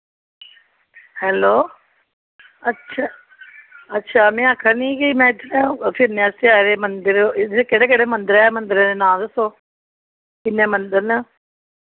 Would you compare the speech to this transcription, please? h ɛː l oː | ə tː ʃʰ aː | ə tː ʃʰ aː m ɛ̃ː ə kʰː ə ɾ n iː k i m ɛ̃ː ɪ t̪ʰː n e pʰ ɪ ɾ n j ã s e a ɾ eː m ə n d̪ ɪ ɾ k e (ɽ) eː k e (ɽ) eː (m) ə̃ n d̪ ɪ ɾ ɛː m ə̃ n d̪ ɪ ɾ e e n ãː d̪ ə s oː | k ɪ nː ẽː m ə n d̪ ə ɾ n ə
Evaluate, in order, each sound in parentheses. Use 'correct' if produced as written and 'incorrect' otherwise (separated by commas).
correct, correct, correct